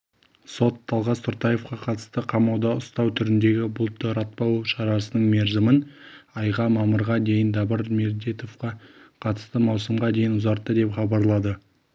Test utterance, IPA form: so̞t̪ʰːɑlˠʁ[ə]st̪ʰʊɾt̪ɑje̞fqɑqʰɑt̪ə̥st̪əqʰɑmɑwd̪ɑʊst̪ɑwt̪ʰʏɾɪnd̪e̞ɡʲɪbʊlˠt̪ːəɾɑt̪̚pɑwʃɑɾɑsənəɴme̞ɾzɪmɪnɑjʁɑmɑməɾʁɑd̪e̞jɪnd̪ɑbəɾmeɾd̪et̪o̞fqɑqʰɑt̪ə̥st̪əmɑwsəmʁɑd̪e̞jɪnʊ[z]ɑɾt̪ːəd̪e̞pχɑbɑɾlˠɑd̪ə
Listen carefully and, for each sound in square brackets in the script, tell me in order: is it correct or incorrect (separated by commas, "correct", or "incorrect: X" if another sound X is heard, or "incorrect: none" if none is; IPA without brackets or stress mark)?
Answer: incorrect: ɑ, correct